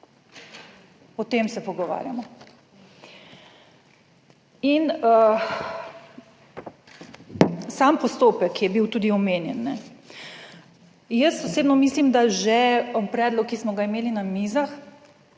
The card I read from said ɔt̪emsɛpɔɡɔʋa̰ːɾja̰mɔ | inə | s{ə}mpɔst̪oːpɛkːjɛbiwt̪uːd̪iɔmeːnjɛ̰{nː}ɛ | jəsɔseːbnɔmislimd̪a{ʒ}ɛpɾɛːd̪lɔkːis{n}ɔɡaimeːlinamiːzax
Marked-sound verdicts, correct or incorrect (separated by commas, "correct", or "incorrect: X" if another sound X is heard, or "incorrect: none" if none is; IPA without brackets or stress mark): incorrect: a, correct, correct, incorrect: m